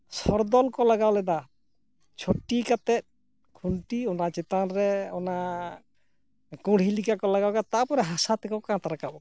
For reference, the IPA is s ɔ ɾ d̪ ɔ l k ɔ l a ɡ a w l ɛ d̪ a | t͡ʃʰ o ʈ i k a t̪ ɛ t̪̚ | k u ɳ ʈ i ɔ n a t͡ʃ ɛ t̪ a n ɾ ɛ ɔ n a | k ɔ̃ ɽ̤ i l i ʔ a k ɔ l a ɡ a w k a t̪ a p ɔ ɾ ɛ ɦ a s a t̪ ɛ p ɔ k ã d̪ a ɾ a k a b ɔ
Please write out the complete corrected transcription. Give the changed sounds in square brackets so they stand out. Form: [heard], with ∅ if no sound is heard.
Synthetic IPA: s ɔ ɾ d̪ ɔ l k ɔ l a ɡ a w l ɛ d̪ a | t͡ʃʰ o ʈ i k a t̪ ɛ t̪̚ | [kʰ] u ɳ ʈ i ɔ n a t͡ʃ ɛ t̪ a n ɾ ɛ ɔ n a | k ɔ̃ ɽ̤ i l i [k] a k ɔ l a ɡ a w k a t̪ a p ɔ ɾ ɛ ɦ a s a t̪ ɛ [k] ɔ k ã [t̪] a ɾ a k a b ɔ